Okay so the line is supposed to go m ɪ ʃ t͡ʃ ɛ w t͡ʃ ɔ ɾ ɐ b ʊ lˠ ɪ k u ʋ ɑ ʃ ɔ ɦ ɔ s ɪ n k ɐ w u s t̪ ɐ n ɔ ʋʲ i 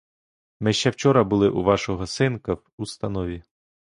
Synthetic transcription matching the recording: m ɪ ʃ t͡ʃ ɛ w t͡ʃ ɔ ɾ ɐ b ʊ lˠ ɪ ʔ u ʋ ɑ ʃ ɔ ɦ ɔ s ɪ n k ɐ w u s t̪ ɐ n ɔ ʋʲ i